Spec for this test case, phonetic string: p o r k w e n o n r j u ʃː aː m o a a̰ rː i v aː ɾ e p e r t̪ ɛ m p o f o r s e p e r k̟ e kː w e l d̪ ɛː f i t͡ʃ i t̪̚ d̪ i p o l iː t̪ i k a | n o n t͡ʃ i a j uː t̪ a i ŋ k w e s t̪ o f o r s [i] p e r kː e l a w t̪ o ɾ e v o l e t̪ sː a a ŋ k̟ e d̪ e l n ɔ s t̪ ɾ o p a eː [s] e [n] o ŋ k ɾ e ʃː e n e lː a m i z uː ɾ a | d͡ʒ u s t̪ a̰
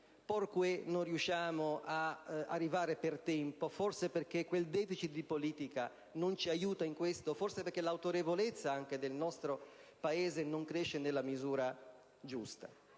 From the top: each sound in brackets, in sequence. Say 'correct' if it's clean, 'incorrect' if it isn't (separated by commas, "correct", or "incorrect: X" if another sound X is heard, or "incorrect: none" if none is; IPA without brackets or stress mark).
incorrect: e, incorrect: z, correct